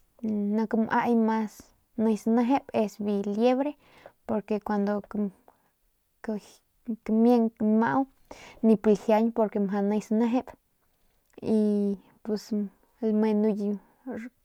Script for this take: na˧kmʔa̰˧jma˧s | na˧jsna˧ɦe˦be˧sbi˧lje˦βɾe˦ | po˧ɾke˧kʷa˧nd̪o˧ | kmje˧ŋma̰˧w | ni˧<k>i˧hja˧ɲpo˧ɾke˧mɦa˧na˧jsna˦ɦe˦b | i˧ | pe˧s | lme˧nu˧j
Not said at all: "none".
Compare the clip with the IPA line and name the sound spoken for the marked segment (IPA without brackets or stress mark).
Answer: p